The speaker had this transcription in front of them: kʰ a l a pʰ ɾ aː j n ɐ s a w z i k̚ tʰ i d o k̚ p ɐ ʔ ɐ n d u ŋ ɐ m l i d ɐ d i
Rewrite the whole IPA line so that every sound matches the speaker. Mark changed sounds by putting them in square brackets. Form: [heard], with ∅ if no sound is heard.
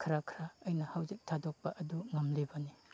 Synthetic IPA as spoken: kʰ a [ɾ] a [kʰ] ɾ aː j n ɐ [h] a w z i k̚ tʰ [a] d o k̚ p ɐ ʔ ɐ [∅] d u ŋ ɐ m l i [b] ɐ [n] i